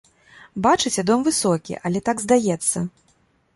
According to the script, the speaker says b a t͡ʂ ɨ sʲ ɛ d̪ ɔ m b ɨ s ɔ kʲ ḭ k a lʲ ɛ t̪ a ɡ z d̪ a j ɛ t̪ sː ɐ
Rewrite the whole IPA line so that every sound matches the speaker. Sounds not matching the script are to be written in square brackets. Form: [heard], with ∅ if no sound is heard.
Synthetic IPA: b a t͡ʂ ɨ [t͡sʲ] ɛ d̪ ɔ m [v] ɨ s ɔ kʲ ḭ [ʔ] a lʲ ɛ t̪ a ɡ z d̪ a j ɛ t̪ sː ɐ